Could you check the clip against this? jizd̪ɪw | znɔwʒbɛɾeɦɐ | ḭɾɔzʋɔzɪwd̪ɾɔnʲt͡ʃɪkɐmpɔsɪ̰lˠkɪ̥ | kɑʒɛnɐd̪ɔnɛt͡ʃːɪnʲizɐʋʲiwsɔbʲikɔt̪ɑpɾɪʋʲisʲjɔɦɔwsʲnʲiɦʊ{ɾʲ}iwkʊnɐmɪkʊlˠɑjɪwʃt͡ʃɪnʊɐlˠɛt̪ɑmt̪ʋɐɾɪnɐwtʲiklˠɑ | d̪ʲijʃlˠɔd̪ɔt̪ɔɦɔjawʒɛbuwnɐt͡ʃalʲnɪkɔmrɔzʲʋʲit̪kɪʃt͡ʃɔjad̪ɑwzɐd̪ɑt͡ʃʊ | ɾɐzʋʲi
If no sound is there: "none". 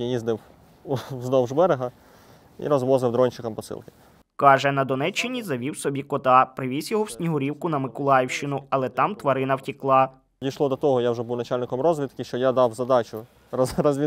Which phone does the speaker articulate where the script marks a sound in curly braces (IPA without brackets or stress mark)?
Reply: ɾʲ